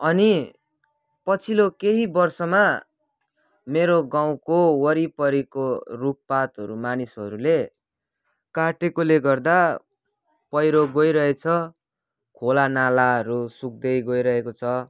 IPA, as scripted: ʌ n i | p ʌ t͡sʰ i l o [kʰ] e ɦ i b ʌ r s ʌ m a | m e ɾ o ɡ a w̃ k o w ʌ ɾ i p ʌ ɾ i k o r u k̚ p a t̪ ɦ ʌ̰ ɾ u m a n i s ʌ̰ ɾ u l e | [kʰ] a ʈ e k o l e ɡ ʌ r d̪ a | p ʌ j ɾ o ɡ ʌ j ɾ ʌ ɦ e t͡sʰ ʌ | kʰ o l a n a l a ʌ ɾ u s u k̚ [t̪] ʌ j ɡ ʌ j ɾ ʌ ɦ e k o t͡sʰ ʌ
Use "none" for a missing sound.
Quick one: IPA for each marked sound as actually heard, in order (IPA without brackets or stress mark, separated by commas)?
k, k, d̪